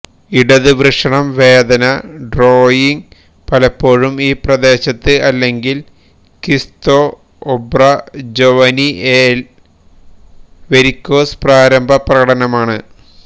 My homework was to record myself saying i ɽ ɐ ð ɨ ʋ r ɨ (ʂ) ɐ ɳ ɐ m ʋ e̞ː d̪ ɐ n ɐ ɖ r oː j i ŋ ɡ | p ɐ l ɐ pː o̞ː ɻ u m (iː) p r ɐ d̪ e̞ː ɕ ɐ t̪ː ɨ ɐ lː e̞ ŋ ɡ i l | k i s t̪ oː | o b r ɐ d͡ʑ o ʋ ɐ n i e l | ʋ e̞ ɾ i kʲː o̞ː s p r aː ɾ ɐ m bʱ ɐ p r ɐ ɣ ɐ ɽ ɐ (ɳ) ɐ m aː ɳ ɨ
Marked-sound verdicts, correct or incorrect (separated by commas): correct, correct, incorrect